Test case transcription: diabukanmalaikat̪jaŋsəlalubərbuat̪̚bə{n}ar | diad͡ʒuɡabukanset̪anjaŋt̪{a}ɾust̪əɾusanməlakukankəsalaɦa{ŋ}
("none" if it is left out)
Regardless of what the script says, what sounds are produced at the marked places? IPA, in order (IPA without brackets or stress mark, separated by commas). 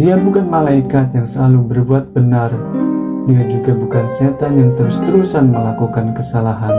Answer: n, ə, n